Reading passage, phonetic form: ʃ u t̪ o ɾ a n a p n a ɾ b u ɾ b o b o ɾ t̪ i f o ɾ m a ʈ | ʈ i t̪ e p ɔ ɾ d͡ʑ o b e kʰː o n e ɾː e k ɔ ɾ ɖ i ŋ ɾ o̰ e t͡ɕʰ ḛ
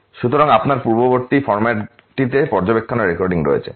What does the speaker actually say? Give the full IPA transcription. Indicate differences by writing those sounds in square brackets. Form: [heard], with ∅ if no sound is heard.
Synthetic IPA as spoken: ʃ u t̪ o ɾ a [ŋ] a p n a ɾ [p] u ɾ b o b o ɾ t̪ i f [ɔ] ɾ m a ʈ | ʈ i t̪ e p ɔ ɾ d͡ʑ o b e kʰː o n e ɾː e k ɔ ɾ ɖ i ŋ ɾ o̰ e t͡ɕʰ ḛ